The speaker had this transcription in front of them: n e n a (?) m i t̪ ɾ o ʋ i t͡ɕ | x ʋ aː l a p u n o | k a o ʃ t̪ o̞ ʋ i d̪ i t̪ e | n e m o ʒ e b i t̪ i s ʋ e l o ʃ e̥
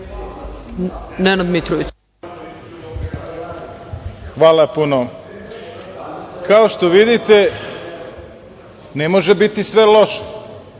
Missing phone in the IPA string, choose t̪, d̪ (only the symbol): d̪